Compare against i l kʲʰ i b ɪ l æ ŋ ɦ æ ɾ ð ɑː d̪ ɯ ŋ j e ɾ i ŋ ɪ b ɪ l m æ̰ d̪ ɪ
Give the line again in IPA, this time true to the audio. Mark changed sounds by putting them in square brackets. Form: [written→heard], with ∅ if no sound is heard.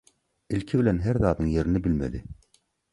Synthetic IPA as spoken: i l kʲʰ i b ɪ l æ [ŋ→n] ɦ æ ɾ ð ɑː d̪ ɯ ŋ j e ɾ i [ŋ→n] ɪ b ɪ l m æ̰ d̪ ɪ